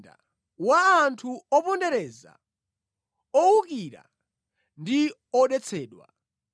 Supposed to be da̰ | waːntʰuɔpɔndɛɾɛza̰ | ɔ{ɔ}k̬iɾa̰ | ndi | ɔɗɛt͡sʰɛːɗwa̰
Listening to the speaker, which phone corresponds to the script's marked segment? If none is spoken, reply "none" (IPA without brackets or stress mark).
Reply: u